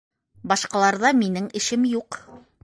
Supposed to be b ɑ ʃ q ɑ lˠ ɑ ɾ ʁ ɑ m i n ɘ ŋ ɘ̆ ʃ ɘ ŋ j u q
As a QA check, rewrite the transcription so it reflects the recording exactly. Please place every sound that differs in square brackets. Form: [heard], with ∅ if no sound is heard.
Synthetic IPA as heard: b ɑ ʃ q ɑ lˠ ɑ ɾ [ð] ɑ m i n ɘ ŋ ɘ̆ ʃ ɘ [m] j u q